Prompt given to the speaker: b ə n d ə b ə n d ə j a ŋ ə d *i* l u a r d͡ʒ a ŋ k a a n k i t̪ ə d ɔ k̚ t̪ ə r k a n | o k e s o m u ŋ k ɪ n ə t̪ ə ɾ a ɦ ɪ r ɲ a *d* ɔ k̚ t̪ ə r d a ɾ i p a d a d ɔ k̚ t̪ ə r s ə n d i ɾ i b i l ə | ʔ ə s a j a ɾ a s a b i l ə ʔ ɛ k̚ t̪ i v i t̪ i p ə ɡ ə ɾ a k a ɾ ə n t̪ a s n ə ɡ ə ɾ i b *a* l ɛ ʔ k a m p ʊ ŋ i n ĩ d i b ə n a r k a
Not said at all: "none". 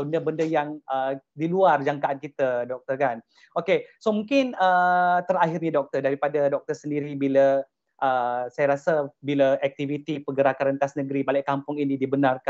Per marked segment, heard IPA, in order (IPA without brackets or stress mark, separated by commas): i, d, a